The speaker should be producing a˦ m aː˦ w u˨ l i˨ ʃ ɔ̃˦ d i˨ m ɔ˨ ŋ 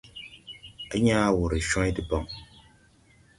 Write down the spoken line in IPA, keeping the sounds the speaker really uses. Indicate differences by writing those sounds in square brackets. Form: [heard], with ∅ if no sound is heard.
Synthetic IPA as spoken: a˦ [ɲ] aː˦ w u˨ [ɾ] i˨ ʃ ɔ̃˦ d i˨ [b] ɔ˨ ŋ